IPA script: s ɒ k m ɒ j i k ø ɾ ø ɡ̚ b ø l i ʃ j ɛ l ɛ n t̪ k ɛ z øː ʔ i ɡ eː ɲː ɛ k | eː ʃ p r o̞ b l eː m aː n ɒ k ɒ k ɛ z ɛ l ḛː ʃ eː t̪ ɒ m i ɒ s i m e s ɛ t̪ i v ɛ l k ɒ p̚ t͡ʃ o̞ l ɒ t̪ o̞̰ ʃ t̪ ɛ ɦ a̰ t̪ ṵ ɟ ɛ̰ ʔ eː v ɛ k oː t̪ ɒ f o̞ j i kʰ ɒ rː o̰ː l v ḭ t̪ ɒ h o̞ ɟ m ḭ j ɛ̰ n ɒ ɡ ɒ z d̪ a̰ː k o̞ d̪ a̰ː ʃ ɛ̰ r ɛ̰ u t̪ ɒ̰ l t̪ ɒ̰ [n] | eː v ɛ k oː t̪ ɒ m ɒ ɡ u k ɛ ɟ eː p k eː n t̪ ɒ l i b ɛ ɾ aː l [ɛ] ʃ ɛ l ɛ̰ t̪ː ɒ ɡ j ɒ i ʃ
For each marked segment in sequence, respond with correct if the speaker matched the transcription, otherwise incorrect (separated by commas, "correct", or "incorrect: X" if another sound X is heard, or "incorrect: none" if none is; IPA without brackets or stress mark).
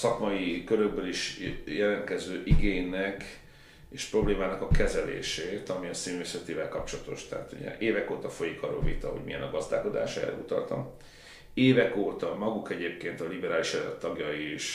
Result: incorrect: m, incorrect: i